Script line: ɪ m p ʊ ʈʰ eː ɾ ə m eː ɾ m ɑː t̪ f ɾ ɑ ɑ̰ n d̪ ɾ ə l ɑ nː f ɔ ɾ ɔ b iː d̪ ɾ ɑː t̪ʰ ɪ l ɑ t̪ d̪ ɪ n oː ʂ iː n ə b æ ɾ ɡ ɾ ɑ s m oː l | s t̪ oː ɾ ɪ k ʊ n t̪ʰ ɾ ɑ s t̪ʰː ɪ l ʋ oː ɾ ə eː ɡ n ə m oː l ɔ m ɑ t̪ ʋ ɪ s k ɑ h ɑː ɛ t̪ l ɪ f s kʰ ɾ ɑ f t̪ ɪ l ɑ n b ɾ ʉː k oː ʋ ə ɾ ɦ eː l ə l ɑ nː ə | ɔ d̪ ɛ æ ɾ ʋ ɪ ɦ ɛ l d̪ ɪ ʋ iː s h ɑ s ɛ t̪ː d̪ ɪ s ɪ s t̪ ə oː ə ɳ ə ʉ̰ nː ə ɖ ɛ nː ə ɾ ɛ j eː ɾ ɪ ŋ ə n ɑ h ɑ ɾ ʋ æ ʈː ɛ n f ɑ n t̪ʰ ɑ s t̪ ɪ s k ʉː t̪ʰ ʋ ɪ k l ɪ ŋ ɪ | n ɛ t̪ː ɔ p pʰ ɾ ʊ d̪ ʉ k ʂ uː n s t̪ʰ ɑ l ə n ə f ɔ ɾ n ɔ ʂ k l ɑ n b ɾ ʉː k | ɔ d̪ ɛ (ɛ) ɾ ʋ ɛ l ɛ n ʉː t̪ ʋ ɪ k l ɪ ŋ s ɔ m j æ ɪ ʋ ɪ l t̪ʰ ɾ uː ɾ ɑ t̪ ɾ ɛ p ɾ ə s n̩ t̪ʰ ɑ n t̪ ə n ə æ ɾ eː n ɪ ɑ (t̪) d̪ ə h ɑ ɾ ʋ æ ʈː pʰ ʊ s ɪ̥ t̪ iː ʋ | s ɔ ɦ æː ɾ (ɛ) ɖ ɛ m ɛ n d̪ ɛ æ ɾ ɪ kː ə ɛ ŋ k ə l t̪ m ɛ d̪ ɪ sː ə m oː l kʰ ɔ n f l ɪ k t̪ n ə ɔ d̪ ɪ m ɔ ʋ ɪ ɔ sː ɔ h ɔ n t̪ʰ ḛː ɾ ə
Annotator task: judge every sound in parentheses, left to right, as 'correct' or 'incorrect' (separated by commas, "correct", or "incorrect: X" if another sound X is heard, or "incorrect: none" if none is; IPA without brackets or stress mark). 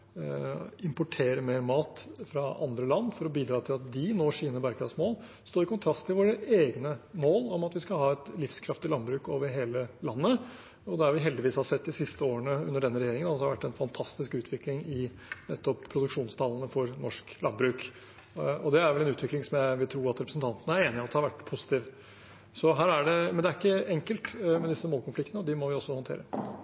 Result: incorrect: æ, correct, incorrect: æ